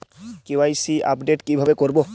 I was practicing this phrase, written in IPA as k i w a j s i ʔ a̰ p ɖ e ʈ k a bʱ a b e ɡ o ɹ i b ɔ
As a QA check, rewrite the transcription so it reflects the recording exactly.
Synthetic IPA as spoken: k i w a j s i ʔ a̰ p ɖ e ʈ k i bʱ a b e k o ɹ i b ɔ